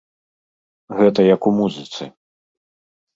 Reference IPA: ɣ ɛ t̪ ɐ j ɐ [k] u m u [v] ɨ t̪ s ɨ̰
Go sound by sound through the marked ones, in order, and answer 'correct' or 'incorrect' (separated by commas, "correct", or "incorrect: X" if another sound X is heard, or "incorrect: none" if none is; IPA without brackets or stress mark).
correct, incorrect: z